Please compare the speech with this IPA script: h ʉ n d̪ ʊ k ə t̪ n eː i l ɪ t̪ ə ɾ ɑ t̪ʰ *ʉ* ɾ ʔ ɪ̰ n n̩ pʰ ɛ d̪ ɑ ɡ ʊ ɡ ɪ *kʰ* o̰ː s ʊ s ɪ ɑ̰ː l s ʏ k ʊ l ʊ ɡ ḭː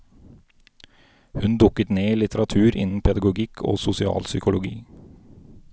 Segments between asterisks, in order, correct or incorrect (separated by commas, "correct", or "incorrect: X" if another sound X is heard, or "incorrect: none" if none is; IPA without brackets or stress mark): incorrect: ʉː, correct